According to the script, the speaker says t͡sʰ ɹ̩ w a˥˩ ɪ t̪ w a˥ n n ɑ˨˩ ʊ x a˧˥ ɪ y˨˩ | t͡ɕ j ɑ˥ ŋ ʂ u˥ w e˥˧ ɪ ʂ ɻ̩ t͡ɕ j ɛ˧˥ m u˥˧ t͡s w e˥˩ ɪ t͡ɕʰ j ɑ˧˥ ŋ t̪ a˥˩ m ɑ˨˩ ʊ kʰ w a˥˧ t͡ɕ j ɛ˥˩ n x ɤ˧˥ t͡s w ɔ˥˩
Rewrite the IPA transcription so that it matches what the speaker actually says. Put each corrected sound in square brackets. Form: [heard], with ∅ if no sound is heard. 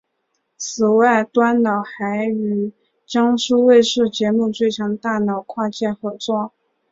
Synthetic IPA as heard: t͡sʰ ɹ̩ w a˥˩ ɪ t̪ w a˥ n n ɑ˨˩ ʊ x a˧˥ ɪ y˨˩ | t͡ɕ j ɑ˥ ŋ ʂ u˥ w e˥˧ ɪ ʂ ɻ̩ t͡ɕ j ɛ˧˥ m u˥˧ t͡s w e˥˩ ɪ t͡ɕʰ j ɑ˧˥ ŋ t̪ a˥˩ [n] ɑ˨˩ ʊ kʰ w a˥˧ t͡ɕ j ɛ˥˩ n x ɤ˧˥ t͡s w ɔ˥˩